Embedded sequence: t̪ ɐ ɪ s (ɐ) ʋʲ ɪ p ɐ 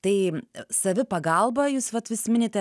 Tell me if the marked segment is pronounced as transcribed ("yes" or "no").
yes